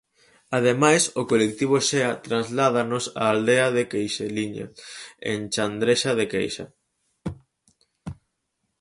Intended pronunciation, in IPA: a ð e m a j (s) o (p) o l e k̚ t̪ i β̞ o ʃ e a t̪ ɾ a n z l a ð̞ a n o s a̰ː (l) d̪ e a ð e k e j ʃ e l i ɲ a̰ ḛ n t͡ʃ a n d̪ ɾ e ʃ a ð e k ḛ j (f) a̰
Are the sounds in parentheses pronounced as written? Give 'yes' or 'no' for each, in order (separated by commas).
yes, no, yes, no